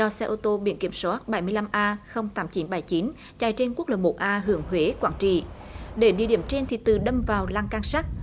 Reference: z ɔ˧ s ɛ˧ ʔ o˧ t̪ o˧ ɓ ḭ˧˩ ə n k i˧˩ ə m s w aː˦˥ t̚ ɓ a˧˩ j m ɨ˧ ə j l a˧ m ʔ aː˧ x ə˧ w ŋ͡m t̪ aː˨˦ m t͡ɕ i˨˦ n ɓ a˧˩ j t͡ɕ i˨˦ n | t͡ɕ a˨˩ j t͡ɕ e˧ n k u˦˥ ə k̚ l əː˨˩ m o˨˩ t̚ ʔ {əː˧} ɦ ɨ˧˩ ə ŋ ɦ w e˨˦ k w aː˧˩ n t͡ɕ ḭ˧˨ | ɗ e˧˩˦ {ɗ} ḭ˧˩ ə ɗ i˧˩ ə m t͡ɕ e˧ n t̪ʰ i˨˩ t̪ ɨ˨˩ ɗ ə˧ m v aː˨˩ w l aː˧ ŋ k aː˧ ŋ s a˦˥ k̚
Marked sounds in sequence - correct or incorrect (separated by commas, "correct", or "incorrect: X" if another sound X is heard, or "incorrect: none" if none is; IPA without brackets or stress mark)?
incorrect: aː˧, correct